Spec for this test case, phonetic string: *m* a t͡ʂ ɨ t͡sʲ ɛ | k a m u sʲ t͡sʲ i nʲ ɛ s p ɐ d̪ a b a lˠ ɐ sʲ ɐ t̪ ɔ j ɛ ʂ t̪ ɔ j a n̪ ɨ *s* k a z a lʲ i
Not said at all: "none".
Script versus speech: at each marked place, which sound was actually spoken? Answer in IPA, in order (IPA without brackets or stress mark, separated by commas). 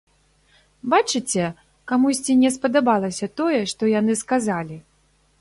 b, s